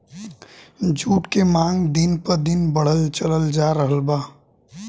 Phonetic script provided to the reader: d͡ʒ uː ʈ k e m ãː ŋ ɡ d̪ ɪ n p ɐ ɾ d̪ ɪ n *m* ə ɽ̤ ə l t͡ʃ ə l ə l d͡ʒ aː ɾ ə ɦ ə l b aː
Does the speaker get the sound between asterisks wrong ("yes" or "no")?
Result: yes